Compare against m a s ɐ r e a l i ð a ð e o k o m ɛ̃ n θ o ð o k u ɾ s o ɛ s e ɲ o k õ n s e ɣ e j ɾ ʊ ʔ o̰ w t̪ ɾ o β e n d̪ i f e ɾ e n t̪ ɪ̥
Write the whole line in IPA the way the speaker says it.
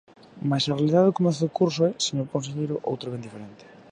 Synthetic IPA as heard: m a s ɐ r e a l i ð a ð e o k o m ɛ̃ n θ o ð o k u ɾ s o ɛ s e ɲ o k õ n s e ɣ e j ɾ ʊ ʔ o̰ w t̪ ɾ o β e n d̪ i f e ɾ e n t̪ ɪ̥